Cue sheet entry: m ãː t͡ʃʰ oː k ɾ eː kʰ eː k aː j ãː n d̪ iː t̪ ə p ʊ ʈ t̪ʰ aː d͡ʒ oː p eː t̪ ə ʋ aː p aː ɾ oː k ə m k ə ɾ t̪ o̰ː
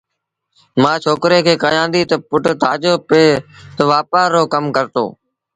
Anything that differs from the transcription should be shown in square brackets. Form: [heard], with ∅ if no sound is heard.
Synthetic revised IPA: m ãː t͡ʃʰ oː k ɾ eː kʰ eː k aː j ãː n d̪ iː t̪ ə p ʊ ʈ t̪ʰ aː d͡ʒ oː p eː t̪ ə ʋ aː p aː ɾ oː k ə m k ə ɾ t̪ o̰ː